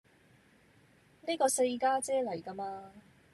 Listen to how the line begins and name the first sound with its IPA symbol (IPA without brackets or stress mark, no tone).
n